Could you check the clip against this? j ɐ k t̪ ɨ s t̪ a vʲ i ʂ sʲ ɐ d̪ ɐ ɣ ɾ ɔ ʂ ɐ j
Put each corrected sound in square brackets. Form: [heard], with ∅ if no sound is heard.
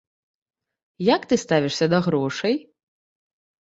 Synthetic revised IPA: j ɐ k t̪ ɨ s t̪ a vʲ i ʂ sʲ ɐ d̪ ɐ ɣ ɾ ɔ ʂ ɐ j